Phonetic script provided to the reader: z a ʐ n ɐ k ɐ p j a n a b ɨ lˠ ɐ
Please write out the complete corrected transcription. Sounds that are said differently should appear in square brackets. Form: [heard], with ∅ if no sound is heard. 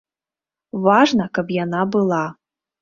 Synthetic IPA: [v] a ʐ n ɐ k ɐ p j a n a b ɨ lˠ [a]